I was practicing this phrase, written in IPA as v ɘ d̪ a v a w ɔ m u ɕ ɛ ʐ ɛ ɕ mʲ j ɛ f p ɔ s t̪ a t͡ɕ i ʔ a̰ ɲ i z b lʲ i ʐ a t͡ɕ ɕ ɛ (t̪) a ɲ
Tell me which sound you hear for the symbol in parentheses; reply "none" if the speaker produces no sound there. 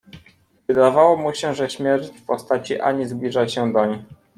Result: d̪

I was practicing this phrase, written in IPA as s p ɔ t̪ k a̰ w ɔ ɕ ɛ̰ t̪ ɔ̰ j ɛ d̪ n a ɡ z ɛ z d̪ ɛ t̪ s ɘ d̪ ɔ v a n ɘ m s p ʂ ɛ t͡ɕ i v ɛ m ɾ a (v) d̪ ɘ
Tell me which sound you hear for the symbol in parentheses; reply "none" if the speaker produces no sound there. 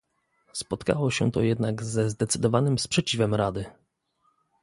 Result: none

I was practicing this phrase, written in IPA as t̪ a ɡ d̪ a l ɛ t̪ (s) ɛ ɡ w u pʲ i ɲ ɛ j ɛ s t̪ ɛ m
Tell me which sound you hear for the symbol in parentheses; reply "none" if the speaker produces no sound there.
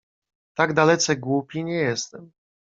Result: s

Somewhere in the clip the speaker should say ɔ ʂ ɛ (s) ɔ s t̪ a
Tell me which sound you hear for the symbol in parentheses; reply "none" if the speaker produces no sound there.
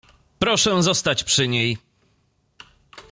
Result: z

